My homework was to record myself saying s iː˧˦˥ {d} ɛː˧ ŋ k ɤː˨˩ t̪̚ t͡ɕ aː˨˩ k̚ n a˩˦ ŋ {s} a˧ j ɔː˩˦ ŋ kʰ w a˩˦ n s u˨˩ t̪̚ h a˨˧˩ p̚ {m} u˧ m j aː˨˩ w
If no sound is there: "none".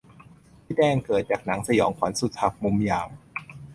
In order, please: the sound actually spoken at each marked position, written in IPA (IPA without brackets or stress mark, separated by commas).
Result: d, s, m